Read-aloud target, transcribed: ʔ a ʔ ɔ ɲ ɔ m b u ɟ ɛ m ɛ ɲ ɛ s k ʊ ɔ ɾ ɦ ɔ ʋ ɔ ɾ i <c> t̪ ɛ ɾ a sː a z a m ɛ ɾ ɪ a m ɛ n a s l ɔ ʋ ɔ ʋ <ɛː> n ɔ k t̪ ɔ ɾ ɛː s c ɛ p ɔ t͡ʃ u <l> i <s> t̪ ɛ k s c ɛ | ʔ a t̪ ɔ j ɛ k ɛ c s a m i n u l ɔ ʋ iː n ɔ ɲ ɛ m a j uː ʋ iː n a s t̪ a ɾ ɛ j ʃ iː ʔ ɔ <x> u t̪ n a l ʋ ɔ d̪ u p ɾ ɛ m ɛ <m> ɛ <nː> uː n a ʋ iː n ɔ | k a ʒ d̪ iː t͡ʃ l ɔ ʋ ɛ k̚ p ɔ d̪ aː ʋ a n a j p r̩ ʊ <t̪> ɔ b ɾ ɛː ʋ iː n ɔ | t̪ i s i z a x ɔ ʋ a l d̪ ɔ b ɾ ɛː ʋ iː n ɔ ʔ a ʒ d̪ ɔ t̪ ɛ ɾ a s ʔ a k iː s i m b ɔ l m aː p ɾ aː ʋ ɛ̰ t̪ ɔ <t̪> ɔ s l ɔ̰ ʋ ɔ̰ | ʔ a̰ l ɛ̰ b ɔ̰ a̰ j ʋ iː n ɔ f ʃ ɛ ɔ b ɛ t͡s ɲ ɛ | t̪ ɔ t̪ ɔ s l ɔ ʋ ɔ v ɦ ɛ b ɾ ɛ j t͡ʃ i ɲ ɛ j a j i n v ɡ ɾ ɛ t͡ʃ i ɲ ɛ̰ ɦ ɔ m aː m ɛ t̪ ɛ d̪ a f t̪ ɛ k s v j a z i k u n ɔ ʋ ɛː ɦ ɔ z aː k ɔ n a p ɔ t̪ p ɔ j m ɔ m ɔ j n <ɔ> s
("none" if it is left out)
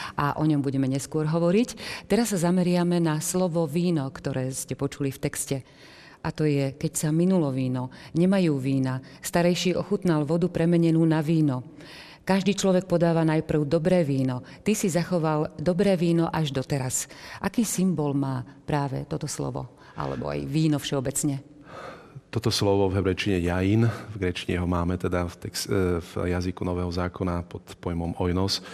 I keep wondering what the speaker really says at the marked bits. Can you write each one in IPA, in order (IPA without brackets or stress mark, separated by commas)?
c, iː, l, f, x, ɲ, n, d̪, t̪, ɔ